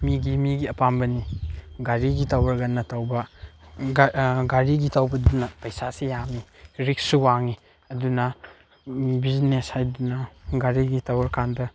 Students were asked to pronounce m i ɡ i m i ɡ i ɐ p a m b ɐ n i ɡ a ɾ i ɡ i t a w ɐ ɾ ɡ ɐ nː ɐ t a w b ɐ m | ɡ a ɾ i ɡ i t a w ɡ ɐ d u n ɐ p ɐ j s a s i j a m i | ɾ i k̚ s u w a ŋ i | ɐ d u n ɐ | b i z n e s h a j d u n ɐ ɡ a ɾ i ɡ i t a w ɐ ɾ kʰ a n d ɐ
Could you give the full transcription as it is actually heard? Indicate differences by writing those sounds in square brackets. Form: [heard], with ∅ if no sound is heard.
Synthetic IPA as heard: m i ɡ i m i ɡ i ɐ p a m b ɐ n i ɡ a ɾ i ɡ i t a w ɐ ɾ ɡ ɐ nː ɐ t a w b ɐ [∅] | ɡ a ɾ i ɡ i t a w [b] ɐ d u n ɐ p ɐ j s a s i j a m i | ɾ i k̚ s u w a ŋ i | ɐ d u n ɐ | b i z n e s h a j d u n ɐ ɡ a ɾ i ɡ i t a w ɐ ɾ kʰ a n d ɐ